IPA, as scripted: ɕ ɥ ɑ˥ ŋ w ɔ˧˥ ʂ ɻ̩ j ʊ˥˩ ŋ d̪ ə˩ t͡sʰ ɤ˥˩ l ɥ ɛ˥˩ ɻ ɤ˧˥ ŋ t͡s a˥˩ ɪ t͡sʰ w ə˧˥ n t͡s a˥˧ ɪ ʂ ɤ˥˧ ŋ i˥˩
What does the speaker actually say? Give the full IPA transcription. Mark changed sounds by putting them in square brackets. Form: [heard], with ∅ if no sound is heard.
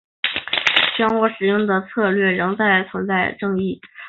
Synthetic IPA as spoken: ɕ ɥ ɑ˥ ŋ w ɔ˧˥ ʂ ɻ̩ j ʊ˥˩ ŋ d̪ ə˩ t͡sʰ [ɤ˥˧] l ɥ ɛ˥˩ ɻ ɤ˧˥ ŋ t͡s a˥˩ ɪ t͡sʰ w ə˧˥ n t͡s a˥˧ ɪ [ʈ͡ʂ] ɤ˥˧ ŋ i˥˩